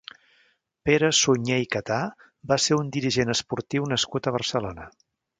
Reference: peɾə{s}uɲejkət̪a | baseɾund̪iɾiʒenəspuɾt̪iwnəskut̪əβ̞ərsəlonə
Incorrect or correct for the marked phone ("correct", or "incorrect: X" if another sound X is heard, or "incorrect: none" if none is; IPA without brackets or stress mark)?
correct